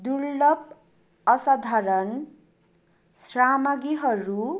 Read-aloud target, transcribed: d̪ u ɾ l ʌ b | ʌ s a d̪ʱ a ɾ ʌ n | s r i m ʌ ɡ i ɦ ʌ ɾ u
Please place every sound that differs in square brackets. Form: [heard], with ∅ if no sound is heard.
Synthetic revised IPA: d̪ u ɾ l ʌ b | ʌ s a d̪ʱ a ɾ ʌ n | s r [a] m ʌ ɡ i ɦ ʌ ɾ u